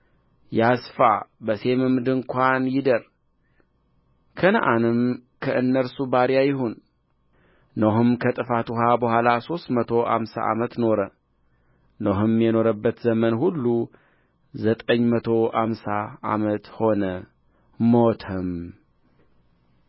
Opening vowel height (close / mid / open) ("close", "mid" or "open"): open